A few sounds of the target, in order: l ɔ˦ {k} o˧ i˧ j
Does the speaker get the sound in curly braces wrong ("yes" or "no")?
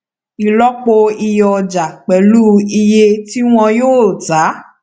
yes